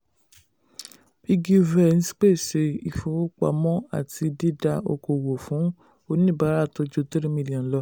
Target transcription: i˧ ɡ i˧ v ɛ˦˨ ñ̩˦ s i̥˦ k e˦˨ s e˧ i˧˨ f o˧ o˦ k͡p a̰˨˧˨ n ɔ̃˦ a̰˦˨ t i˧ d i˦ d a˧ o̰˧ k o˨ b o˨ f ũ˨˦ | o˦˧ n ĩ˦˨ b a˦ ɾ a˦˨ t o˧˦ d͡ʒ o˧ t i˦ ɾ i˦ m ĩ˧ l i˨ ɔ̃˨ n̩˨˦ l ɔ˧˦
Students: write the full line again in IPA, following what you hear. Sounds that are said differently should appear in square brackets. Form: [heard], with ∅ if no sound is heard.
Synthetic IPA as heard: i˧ ɡ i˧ v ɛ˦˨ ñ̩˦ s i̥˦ [k͡p] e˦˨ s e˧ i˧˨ f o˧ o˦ k͡p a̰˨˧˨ [m] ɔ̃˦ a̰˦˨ t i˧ d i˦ d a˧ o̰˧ k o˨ [w] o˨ f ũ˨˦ | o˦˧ n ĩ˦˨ b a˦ ɾ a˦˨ t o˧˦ d͡ʒ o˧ t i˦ ɾ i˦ m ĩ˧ l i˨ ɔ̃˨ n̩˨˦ l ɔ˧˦